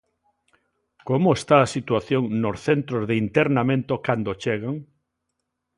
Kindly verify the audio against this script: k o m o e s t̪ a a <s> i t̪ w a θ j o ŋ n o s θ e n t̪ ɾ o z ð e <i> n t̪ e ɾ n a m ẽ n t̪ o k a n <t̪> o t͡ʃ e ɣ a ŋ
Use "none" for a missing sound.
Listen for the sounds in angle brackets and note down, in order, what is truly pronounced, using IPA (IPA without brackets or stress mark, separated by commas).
s, i, d̪